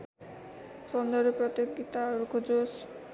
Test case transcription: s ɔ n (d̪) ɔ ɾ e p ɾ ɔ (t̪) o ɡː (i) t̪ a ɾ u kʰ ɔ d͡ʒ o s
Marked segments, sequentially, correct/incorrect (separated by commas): correct, correct, correct